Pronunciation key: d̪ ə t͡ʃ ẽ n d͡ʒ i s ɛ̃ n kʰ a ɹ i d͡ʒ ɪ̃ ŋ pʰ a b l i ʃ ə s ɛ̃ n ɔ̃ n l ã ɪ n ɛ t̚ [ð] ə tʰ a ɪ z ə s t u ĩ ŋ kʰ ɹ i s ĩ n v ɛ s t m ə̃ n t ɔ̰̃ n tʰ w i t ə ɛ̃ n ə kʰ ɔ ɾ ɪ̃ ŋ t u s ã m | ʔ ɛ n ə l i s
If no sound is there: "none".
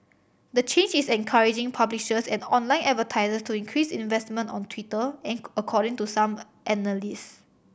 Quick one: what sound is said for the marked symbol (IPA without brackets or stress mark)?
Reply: v